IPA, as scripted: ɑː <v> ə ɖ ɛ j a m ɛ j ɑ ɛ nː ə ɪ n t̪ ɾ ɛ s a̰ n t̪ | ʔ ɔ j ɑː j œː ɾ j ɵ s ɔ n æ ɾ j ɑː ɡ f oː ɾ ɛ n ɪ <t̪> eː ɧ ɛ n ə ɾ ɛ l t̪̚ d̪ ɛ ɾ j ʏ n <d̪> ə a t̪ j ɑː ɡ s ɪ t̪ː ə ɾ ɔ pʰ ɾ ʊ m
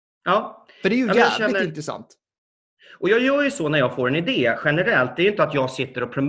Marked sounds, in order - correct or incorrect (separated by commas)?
incorrect, incorrect, incorrect